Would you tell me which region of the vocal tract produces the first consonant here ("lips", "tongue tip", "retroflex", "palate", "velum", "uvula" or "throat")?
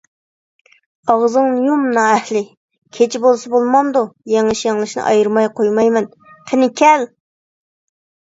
uvula